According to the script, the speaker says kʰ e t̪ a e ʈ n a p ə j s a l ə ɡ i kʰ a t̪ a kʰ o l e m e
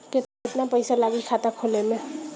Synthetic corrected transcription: k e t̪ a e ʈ n a p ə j s a l a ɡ i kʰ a t̪ a kʰ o l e m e